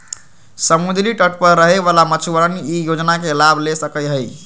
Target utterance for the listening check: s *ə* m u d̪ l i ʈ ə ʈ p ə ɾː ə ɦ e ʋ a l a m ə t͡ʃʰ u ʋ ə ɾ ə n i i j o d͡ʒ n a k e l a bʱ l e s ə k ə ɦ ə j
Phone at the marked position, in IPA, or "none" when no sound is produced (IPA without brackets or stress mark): ə